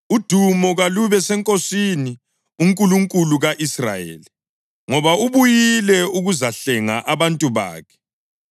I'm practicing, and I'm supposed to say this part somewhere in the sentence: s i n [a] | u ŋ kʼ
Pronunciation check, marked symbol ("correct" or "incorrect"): incorrect